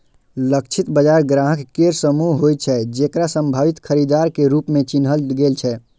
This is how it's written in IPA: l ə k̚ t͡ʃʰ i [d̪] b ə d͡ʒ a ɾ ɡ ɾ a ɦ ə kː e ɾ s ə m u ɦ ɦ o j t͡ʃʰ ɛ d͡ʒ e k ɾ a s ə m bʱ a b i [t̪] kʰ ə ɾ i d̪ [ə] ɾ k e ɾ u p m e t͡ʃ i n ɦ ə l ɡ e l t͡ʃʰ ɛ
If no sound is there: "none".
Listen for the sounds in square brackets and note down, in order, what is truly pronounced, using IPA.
t̪, t̪, a

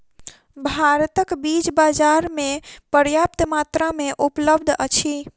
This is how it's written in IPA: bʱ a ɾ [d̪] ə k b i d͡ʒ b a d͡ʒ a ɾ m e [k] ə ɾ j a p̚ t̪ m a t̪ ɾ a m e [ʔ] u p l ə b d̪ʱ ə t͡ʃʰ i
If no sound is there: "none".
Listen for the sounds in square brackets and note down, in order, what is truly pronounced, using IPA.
t̪, p, ʔ

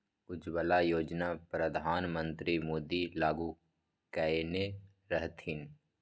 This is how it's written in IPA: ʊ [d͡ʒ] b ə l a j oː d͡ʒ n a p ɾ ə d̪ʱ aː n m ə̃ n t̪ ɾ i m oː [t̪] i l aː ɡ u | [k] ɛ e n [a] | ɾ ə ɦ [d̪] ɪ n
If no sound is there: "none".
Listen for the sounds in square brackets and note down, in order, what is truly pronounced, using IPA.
d͡ʒ, d̪, k, e, t̪

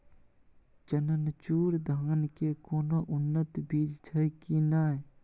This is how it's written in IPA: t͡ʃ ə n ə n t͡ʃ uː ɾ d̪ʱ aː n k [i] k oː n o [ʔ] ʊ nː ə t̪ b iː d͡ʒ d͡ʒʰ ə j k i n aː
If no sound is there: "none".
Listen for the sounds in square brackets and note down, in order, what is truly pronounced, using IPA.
e, ʔ

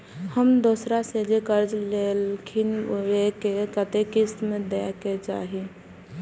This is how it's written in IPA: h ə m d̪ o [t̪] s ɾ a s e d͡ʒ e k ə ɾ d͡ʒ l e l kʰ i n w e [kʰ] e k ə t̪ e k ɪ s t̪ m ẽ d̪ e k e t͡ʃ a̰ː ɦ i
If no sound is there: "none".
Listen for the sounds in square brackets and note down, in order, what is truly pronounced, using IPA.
none, k

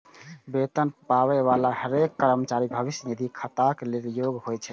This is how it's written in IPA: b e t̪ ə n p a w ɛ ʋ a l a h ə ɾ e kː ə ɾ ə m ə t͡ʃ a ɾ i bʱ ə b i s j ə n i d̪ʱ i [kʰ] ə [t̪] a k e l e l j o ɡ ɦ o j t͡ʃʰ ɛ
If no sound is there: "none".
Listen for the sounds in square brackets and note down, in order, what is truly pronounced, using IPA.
kʰ, t̪

